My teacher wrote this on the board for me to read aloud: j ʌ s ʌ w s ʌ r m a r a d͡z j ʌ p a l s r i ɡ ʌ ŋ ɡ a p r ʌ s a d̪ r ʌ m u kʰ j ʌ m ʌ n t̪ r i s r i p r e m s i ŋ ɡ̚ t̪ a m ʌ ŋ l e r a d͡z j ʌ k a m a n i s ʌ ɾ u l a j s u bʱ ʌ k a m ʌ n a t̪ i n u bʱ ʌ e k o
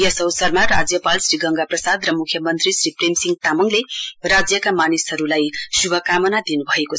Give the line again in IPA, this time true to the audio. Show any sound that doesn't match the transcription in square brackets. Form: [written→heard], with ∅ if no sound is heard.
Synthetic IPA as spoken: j ʌ s ʌ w s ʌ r m a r a d͡z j ʌ p a l s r i ɡ ʌ ŋ ɡ a p r ʌ s a d̪ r ʌ m u kʰ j ʌ m ʌ n t̪ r i s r i p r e m s i ŋ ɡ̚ t̪ a m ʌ ŋ l e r a d͡z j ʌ k a m a n i s ʌ ɾ u l a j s u bʱ ʌ k a m ʌ n a [t̪→d̪] i n u bʱ ʌ e k o